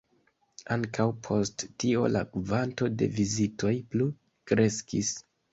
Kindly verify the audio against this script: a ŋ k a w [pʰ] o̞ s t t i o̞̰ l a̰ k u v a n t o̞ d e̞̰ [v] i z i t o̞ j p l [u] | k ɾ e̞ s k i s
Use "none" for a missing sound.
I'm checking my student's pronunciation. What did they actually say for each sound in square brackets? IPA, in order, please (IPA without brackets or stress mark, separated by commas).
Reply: pʰ, v, u